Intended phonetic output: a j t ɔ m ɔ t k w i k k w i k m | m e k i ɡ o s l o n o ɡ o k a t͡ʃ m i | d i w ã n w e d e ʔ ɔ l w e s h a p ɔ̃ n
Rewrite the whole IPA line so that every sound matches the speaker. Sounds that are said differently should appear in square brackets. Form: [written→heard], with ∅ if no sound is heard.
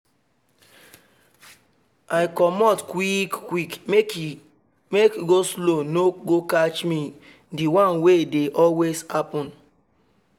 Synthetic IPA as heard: a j [t→k] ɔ m ɔ t k w i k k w i k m | m e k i ɡ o s l o n o ɡ o k a t͡ʃ m i | d i w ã n w e d e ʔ ɔ l w e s h a p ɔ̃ n